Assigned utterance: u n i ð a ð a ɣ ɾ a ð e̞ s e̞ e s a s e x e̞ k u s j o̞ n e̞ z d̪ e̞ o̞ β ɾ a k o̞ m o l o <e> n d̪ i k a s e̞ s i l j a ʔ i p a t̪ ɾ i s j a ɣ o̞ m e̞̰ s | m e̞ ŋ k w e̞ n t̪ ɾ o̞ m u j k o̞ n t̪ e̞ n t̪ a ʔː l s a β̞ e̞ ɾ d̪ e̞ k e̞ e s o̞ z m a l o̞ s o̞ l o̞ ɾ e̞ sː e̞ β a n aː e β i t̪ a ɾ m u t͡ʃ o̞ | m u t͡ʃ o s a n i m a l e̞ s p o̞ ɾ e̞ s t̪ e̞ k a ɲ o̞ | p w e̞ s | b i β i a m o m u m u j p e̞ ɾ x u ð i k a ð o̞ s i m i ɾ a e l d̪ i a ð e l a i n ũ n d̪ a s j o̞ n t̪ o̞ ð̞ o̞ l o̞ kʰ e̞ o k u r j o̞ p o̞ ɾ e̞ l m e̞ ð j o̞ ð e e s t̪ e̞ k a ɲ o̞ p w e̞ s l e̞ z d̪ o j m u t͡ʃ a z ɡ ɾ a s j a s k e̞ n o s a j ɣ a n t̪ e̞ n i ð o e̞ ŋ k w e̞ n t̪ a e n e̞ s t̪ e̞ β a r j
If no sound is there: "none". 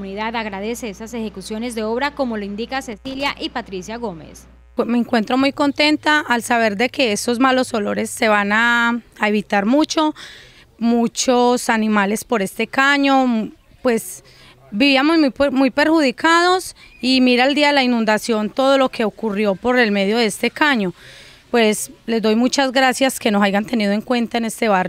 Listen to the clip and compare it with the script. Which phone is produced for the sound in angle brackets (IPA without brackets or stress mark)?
i